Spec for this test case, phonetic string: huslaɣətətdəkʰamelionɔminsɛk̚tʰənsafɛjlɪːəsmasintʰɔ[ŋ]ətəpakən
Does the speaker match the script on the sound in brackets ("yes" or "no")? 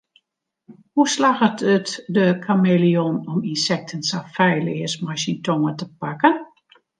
yes